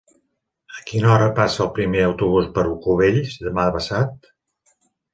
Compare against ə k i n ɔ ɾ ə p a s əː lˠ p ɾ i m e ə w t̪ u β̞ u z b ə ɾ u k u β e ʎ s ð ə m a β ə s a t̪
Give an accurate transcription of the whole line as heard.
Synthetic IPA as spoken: ə k i n ɔ ɾ ə p a s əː lˠ p ɾ i m e ə w t̪ u β̞ u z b ə ɾ u k u β e ʎ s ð ə m a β ə s a t̪